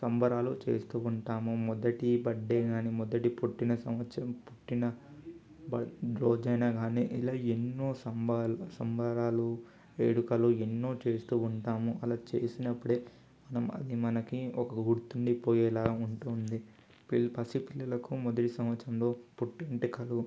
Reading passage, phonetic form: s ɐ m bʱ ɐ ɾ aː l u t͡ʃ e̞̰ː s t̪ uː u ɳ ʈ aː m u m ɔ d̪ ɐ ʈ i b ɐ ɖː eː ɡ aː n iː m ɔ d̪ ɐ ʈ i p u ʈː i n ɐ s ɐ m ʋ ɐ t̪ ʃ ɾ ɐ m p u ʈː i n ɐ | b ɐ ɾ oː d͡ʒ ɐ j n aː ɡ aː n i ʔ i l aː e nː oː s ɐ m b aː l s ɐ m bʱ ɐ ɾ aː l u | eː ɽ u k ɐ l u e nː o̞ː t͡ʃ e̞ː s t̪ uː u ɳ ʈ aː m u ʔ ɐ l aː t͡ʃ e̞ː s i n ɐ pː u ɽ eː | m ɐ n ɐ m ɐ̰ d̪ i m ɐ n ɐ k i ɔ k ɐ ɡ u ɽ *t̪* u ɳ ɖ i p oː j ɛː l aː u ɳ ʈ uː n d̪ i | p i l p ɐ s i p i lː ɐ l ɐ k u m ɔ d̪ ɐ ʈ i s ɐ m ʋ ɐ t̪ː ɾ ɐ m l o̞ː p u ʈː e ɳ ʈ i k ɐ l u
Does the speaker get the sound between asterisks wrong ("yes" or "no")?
no